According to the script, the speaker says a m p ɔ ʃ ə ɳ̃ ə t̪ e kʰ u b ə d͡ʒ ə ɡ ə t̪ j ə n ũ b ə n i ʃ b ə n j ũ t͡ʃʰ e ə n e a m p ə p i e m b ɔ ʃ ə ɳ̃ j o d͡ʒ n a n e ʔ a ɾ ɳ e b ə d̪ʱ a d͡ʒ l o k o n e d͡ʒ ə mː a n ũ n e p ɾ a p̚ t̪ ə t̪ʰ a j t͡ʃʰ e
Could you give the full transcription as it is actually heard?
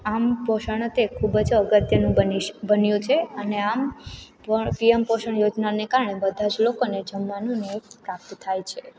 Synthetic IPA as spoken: a m p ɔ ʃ ə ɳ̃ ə t̪ e kʰ u b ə d͡ʒ ə ɡ ə t̪ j ə n ũ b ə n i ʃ b ə n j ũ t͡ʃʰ e ə n e a m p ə p i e m p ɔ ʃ ə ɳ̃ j o d͡ʒ n a n e k a ɾ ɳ e b ə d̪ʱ a d͡ʒ l o k o n e d͡ʒ ə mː a n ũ n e p ɾ a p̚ t̪ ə t̪ʰ a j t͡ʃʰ e